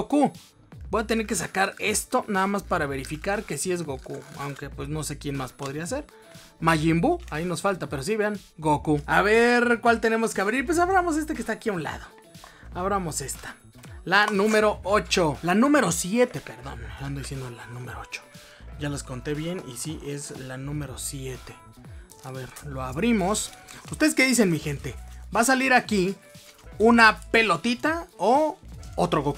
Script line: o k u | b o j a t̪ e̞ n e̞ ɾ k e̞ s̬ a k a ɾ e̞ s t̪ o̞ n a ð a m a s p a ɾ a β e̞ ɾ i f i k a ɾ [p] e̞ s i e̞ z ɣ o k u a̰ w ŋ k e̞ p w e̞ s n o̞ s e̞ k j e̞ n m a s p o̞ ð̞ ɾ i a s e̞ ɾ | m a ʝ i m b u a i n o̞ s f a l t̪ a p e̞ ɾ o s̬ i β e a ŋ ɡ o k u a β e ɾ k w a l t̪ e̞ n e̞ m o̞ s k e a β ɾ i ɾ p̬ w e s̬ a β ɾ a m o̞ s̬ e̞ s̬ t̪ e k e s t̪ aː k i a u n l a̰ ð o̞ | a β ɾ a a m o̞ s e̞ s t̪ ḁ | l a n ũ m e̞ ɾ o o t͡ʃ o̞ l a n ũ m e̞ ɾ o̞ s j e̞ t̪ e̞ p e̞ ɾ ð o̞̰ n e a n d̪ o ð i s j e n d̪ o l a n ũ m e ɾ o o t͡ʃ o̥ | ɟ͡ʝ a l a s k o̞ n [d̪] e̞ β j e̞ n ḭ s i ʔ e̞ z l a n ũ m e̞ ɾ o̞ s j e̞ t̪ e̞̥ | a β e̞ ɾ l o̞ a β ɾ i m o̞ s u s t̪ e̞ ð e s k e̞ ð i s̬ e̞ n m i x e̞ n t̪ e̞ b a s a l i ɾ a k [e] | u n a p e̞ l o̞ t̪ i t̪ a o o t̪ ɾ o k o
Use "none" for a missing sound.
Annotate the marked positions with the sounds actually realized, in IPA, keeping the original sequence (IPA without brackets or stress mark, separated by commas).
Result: k, t̪, i